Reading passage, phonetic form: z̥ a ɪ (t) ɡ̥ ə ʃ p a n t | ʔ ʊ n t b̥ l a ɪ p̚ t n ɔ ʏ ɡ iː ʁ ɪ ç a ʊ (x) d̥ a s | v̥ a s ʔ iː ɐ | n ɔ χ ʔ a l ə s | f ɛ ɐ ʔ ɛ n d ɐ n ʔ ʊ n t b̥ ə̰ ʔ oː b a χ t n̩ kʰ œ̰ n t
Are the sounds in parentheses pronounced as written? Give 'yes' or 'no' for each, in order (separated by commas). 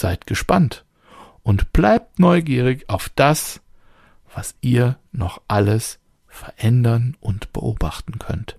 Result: yes, no